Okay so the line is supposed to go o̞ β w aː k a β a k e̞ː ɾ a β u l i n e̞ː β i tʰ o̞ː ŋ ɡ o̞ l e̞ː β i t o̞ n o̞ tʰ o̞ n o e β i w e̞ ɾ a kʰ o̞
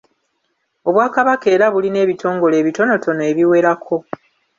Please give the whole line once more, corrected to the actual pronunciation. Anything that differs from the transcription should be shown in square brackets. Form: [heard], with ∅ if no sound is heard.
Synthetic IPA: o̞ β w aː k a β a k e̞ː ɾ a β u l i n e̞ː β i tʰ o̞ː ŋ ɡ o̞ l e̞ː β i t o̞ n o̞ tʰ o̞ n o e β i w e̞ ɾ a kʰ o̞